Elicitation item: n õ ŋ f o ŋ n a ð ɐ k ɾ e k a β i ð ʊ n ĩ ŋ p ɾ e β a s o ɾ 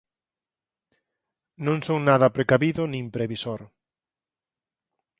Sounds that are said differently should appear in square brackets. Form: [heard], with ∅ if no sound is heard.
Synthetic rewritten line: n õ ŋ [s] o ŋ n a ð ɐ [p] ɾ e k a β i ð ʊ n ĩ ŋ p ɾ e β [i] s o ɾ